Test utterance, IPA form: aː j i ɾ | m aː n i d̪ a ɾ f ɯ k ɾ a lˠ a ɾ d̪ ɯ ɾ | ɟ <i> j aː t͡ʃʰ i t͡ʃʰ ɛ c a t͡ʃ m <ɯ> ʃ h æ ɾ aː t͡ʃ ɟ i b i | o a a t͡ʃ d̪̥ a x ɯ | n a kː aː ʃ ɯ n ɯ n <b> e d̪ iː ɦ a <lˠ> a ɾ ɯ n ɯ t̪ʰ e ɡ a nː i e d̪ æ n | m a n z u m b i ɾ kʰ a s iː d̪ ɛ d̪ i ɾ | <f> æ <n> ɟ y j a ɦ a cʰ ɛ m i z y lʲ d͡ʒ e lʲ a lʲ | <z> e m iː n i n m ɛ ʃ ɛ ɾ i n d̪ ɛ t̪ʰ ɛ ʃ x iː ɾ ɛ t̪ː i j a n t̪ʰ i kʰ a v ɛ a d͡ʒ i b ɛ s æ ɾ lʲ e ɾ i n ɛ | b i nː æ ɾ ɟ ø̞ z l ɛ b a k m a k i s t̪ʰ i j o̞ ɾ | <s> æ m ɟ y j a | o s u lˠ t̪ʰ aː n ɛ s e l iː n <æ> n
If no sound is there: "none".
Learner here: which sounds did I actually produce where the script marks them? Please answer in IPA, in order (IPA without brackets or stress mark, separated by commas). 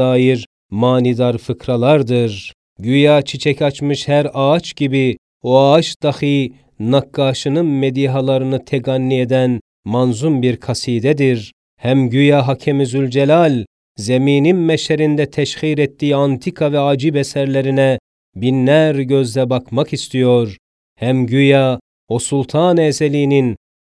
y, ɯ, m, lˠ, h, m, z, h, i